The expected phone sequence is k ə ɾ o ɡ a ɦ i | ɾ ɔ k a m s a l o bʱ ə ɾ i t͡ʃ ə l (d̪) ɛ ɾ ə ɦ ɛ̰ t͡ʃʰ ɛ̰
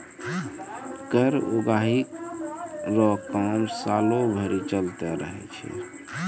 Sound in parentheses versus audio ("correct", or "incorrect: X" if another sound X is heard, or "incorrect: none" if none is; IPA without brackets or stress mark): incorrect: t̪